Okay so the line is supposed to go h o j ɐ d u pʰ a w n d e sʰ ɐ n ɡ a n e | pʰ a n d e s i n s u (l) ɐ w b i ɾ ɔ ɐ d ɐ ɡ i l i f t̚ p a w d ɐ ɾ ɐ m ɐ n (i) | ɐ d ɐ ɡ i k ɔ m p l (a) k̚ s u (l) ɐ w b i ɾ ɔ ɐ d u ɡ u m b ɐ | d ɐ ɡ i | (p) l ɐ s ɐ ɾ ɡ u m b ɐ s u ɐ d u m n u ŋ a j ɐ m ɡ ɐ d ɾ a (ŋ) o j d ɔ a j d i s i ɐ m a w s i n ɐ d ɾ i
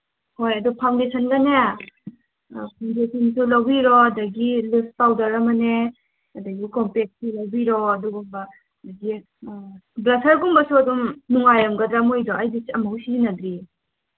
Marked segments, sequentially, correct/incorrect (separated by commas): correct, incorrect, incorrect, correct, incorrect, incorrect